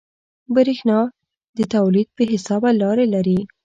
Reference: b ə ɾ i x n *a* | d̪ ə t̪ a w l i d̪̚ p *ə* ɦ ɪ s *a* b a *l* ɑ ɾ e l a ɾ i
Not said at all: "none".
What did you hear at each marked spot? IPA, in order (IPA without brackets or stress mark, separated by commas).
ɑ, ə, ɑ, l